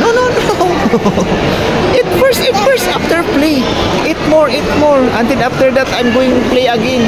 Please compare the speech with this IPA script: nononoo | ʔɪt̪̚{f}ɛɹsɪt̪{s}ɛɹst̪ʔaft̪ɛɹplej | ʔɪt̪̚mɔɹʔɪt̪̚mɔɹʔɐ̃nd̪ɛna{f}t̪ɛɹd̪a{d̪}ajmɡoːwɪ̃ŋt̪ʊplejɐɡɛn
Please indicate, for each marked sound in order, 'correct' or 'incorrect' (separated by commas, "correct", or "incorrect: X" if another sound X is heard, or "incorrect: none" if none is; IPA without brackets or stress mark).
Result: correct, incorrect: f, correct, incorrect: t̪